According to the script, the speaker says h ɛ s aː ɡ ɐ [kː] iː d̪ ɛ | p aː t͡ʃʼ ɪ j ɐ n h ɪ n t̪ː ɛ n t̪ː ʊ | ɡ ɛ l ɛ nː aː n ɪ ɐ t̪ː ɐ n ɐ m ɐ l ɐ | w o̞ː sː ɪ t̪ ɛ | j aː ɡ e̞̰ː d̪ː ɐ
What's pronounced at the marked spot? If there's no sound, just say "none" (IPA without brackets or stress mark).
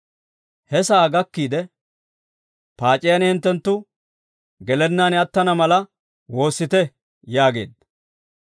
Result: kː